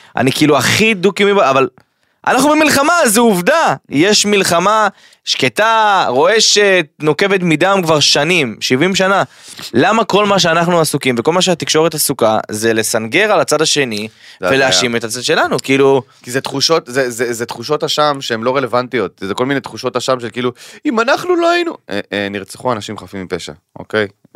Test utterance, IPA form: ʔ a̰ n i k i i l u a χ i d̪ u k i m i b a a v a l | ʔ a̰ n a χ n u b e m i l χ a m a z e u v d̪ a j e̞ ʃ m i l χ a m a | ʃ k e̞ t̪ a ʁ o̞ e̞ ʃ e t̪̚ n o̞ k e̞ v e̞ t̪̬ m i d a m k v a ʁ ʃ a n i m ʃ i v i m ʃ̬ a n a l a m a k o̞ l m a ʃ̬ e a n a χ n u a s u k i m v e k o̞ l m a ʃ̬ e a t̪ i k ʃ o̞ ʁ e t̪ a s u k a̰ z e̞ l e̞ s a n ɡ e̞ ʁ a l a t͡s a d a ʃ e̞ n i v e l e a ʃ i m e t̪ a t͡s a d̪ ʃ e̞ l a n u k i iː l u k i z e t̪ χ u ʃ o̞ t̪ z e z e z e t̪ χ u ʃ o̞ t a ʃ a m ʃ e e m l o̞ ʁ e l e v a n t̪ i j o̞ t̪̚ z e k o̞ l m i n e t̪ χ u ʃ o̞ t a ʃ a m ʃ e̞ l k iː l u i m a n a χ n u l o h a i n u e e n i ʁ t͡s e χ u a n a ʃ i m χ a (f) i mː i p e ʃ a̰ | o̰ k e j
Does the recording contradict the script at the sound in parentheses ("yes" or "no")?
no